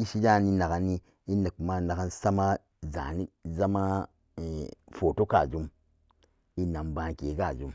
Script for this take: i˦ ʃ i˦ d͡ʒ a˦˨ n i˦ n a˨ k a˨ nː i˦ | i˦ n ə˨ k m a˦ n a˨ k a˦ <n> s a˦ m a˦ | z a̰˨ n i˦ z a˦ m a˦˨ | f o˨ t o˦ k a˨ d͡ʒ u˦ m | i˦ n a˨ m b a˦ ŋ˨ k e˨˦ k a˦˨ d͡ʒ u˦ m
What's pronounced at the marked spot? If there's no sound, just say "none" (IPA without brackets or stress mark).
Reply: n